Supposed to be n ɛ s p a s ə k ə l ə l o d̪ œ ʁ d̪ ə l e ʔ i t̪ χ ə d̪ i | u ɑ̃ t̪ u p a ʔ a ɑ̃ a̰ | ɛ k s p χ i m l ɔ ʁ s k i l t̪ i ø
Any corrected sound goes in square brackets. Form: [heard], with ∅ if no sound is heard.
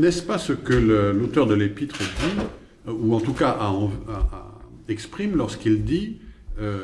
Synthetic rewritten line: n ɛ s p a s ə k ə l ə l o [t̪] œ ʁ d̪ ə l e [p] i t̪ χ ə d̪ i | u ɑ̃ t̪ u [k] a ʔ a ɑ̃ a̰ | ɛ k s p χ i m l ɔ ʁ s k i l [d̪] i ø

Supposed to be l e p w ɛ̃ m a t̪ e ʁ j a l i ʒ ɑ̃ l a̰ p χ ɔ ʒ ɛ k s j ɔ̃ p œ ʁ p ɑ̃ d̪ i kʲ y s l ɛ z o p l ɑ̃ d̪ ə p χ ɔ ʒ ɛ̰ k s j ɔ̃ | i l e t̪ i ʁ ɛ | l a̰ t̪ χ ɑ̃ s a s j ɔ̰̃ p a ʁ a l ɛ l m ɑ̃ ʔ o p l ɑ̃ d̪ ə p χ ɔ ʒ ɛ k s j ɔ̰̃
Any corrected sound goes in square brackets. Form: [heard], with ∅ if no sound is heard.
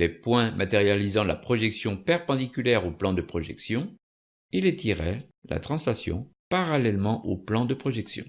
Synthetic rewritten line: l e p w ɛ̃ m a t̪ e ʁ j a l i [z] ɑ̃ l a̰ p χ ɔ ʒ ɛ k s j ɔ̃ p [ɛ] ʁ p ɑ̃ d̪ i kʲ y [∅] l ɛ [ʁ] o p l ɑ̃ d̪ ə p χ ɔ ʒ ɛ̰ k s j ɔ̃ | i l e t̪ i ʁ ɛ | l a̰ t̪ χ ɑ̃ s a s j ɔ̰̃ p a ʁ a l ɛ l m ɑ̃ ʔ o p l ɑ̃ d̪ ə p χ ɔ ʒ ɛ k s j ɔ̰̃

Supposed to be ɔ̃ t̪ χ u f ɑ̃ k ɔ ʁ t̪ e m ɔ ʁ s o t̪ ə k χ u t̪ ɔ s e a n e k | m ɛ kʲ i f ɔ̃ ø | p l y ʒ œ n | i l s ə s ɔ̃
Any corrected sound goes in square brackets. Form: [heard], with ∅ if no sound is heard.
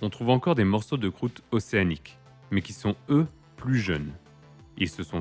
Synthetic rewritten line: ɔ̃ t̪ χ u [v] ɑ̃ k ɔ ʁ [d̪] e m ɔ ʁ s o [d̪] ə k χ u t̪ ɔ s e a n [i] k | m ɛ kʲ i [s] ɔ̃ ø | p l y ʒ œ n | i l s ə s ɔ̃

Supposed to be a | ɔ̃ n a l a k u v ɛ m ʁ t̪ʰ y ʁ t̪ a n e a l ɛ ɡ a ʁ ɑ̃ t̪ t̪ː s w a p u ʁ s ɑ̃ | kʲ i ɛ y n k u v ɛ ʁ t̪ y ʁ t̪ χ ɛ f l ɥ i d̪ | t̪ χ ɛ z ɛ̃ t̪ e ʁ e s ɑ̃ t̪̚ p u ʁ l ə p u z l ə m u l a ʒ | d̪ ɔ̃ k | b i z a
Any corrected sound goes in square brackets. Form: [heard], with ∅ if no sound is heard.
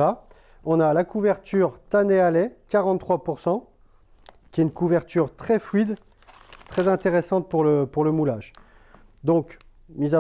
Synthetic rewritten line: a | ɔ̃ n a l a k u v ɛ [∅] ʁ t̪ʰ y ʁ t̪ a n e a l ɛ [k] a ʁ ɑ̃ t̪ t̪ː [χ] w a p u ʁ s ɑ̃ | kʲ i ɛ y n k u v ɛ ʁ t̪ y ʁ t̪ χ ɛ f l ɥ i d̪ | t̪ χ ɛ z ɛ̃ t̪ e ʁ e s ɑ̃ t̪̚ p u ʁ l ə p u [ʁ] l ə m u l a ʒ | d̪ ɔ̃ k | [m] i z a

